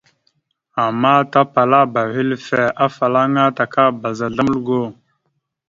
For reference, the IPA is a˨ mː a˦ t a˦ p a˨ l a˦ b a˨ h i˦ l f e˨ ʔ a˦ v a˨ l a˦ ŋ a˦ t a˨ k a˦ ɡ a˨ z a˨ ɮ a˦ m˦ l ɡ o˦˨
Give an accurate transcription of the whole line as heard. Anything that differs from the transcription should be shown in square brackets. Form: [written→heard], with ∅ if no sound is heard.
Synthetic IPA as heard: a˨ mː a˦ t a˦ p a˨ l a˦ b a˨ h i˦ l f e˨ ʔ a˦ [v→f] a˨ l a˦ ŋ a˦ t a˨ k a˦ [ɡ→b] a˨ z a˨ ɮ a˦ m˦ l ɡ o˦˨

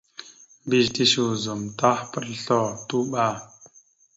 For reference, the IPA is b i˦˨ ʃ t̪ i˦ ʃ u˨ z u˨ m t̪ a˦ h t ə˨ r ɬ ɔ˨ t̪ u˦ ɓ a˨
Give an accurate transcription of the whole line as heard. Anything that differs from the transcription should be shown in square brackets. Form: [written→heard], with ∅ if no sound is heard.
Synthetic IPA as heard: b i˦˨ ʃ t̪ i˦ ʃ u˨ z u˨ m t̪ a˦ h [t→p] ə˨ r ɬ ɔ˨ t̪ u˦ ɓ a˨

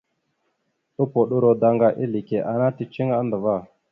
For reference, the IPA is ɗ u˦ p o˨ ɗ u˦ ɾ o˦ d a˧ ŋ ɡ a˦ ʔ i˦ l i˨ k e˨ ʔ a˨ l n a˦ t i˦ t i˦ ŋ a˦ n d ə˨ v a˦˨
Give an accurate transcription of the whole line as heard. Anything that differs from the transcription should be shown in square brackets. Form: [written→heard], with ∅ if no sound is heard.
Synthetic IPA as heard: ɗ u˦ p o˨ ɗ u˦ ɾ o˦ d a˧ ŋ ɡ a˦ ʔ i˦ l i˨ k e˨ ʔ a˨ [l→∅] n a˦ t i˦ [t→t͡ʃ] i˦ ŋ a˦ n d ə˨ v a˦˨

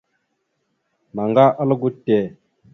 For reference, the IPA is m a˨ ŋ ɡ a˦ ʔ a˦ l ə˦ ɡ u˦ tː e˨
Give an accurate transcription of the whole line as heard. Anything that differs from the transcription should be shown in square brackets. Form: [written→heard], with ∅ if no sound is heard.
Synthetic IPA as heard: m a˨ ŋ ɡ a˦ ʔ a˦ l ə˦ ɡ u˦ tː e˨

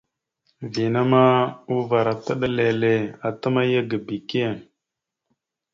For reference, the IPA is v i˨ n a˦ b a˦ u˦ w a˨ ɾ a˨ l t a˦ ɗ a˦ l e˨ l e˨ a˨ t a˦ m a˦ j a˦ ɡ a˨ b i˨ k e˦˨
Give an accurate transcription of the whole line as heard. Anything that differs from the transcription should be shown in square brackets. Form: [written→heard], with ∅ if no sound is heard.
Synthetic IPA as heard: v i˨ n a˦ [b→m] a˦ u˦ [w→v] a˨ ɾ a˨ [l→∅] t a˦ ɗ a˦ l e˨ l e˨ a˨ t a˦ m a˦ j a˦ ɡ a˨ b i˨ k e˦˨

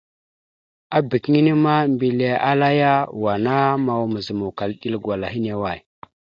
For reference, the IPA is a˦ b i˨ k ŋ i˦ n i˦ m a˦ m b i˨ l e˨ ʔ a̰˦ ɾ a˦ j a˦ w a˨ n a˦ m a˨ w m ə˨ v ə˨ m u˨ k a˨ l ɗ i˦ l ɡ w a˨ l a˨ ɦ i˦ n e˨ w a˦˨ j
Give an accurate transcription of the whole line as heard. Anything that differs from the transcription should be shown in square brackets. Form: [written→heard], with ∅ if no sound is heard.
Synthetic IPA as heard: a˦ b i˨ k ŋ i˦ n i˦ m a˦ m b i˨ l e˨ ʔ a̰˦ [ɾ→l] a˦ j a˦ w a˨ n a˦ m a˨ w m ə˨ [v→z] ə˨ m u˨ k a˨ l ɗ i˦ l ɡ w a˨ l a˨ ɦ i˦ n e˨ w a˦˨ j

